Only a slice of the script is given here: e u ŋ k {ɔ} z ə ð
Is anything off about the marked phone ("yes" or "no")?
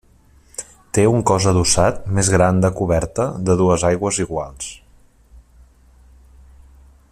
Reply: no